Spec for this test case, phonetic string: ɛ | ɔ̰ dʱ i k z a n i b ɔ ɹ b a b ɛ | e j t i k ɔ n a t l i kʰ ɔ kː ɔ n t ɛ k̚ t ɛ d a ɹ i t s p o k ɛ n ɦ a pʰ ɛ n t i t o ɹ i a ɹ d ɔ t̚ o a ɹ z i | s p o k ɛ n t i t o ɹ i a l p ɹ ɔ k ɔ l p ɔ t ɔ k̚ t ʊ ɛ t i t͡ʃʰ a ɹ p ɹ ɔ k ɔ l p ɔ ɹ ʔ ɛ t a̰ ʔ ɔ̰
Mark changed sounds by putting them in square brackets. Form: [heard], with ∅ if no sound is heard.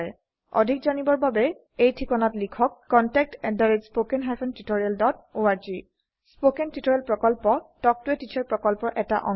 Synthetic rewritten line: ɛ | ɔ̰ dʱ i k z a n i b ɔ ɹ b a b ɛ | e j [tʰ] i k ɔ n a t l i kʰ ɔ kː ɔ n t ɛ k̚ t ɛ d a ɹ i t s p o k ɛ n ɦ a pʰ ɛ n t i t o ɹ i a [l] d ɔ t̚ o a ɹ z i | s p o k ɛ n t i t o ɹ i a l p ɹ ɔ k ɔ l p ɔ t ɔ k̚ t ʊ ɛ t i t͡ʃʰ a ɹ p ɹ ɔ k ɔ l p ɔ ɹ ʔ ɛ t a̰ ʔ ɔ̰